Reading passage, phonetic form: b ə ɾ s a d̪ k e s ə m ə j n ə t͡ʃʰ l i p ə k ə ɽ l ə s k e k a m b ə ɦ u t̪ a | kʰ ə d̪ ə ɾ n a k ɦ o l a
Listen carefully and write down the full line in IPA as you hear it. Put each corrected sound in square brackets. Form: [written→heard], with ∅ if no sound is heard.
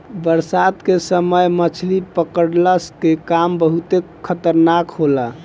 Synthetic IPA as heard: b ə ɾ s a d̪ k e s ə m ə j [n→m] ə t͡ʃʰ l i p ə k ə ɽ l ə s k e k a m b ə ɦ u t̪ [a→e] | kʰ ə [d̪→t̪] ə ɾ n a k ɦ o l a